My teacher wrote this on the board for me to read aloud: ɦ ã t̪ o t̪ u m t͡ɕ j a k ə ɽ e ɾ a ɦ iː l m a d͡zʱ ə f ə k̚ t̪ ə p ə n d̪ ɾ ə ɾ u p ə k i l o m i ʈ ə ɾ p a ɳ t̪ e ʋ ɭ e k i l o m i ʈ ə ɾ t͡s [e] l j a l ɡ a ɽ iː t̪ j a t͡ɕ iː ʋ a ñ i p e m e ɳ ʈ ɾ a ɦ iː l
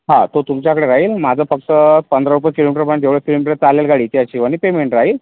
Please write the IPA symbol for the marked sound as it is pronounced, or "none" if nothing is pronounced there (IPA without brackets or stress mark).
a